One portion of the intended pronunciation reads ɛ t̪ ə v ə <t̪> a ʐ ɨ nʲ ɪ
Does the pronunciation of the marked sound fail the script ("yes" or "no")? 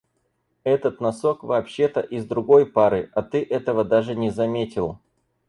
yes